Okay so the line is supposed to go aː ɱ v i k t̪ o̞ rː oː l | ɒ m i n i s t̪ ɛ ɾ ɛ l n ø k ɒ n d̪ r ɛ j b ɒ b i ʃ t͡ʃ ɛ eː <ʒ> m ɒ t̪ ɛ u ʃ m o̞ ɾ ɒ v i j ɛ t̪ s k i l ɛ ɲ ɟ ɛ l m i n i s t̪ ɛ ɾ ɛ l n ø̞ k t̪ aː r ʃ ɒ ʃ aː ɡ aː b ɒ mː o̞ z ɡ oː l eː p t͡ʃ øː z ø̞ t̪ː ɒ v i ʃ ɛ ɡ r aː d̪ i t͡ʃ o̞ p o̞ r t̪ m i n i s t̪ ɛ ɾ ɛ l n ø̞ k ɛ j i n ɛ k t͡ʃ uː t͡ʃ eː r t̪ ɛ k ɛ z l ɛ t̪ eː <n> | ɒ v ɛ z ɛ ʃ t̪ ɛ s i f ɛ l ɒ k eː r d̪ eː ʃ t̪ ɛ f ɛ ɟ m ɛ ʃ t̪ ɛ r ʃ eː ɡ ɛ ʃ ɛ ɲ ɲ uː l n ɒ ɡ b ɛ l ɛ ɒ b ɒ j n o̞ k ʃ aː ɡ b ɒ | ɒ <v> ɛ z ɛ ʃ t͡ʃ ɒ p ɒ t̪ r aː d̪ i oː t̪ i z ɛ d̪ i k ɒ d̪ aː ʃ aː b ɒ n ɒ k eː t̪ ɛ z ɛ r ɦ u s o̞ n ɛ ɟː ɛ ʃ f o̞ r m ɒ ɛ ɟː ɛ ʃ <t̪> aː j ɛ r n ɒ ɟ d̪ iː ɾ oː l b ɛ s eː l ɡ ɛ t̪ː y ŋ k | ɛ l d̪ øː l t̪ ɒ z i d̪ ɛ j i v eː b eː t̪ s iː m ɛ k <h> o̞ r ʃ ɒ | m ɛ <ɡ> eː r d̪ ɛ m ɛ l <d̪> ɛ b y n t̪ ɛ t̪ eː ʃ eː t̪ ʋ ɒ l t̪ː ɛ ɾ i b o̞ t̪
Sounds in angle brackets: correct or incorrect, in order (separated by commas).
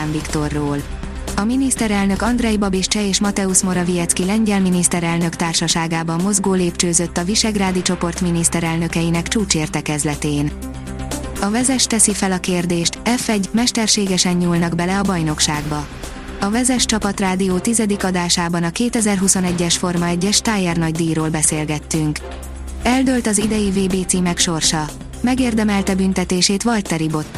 incorrect, correct, correct, correct, incorrect, correct, incorrect